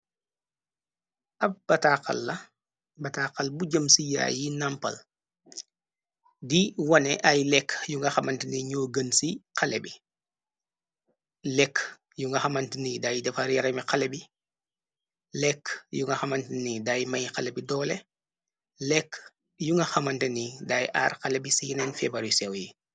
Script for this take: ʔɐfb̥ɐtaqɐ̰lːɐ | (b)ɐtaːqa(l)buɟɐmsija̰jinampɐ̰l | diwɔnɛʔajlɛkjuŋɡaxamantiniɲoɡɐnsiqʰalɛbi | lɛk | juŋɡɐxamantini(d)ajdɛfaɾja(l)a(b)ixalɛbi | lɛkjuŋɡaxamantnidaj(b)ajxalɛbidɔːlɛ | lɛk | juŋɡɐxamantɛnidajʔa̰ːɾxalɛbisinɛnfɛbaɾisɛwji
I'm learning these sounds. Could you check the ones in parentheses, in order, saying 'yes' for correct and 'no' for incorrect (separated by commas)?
yes, yes, yes, no, no, no